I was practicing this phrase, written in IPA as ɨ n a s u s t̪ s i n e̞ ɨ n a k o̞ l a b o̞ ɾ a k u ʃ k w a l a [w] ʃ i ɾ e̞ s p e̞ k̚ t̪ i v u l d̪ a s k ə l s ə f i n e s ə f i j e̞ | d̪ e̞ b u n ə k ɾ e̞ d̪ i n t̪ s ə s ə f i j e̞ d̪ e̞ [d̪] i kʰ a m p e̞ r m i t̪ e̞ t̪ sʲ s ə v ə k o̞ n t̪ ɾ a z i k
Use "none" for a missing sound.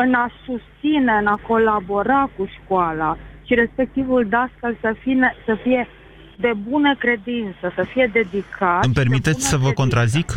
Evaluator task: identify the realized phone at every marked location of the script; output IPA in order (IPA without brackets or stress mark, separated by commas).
none, d̪